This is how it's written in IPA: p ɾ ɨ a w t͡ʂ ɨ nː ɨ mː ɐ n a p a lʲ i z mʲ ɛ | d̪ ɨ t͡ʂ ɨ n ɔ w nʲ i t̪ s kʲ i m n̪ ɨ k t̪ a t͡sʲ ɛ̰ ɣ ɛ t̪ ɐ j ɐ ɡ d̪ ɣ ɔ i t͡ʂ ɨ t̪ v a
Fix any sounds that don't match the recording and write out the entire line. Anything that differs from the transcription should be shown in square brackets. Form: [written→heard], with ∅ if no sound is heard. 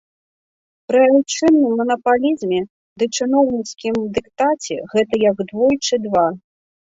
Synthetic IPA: p ɾ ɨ a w t͡ʂ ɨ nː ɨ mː ɐ n [a→ɐ] p a lʲ i z mʲ ɛ | d̪ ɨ t͡ʂ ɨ n ɔ w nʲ i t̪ s kʲ i m [n̪→d̪] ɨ k t̪ a t͡sʲ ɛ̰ ɣ ɛ t̪ ɐ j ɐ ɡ d̪ [ɣ→v] ɔ [i→j] t͡ʂ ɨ [t̪→d̪] v a

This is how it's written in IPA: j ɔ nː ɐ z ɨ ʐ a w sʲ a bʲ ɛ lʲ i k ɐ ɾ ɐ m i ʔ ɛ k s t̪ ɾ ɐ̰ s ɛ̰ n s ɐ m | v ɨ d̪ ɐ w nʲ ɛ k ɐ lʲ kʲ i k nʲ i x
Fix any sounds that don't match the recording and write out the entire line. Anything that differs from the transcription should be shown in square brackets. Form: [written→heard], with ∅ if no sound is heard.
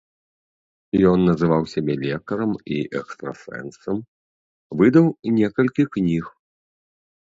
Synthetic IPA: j ɔ nː ɐ z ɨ [ʐ→v] a w sʲ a bʲ ɛ lʲ [i→ɛ] k ɐ ɾ ɐ m i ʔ ɛ k s t̪ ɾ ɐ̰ s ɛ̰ n s ɐ m | v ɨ d̪ ɐ w nʲ ɛ k ɐ lʲ kʲ i k nʲ i x

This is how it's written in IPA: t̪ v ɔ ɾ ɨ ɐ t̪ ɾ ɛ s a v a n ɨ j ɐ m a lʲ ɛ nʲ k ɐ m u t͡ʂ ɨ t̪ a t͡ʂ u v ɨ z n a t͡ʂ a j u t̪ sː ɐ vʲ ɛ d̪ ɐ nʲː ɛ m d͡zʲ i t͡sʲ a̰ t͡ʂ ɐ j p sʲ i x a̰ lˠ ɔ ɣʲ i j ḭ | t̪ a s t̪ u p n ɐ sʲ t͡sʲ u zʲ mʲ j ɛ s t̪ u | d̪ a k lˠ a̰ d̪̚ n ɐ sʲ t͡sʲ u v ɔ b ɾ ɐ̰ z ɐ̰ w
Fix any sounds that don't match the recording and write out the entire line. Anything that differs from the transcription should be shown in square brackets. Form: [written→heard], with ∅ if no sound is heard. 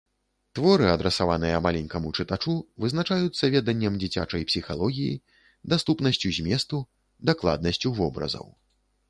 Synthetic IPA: t̪ v ɔ ɾ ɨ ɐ [t̪→d̪] ɾ ɛ s a v a n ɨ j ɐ m a lʲ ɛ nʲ k ɐ m u t͡ʂ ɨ t̪ a t͡ʂ u v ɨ z n a t͡ʂ a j u t̪ sː ɐ vʲ ɛ d̪ ɐ nʲː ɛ m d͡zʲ i t͡sʲ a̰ t͡ʂ ɐ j p sʲ i x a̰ lˠ ɔ ɣʲ i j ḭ | [t̪→d̪] a s t̪ u p n ɐ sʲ t͡sʲ u zʲ mʲ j ɛ s t̪ u | d̪ a k lˠ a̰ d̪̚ n ɐ sʲ t͡sʲ u v ɔ b ɾ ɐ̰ z ɐ̰ w

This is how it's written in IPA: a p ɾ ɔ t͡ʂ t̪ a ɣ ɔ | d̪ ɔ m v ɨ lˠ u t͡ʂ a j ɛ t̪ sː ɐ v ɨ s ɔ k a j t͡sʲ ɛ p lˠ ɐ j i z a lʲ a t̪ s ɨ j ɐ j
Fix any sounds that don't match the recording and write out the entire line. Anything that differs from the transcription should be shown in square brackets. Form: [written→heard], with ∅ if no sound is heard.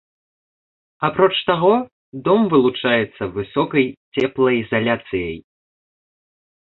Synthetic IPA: a p ɾ ɔ t͡ʂ t̪ a ɣ ɔ | d̪ ɔ m v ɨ lˠ u t͡ʂ a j ɛ t̪ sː ɐ v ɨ s ɔ k [a→ɐ] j t͡sʲ ɛ p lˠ ɐ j i z a lʲ a t̪ s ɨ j ɐ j

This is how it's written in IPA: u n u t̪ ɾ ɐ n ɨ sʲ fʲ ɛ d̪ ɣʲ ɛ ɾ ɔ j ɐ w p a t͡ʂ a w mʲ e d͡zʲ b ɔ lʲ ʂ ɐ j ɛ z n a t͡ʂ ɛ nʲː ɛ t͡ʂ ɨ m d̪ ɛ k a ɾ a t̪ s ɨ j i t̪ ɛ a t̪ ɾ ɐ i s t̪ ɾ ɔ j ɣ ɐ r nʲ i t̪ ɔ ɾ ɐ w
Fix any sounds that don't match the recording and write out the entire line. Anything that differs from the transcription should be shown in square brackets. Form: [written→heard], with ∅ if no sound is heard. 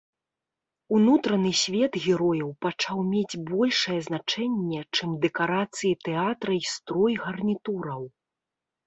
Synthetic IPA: u n u t̪ ɾ ɐ n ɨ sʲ [fʲ→vʲ] ɛ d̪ ɣʲ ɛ ɾ ɔ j ɐ w p a t͡ʂ a w mʲ e d͡zʲ b ɔ lʲ ʂ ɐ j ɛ z n a t͡ʂ ɛ nʲː ɛ t͡ʂ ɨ m d̪ ɛ k a ɾ a t̪ s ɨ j i t̪ ɛ a t̪ ɾ ɐ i s t̪ ɾ ɔ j ɣ ɐ r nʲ i t̪ [ɔ→u] ɾ ɐ w

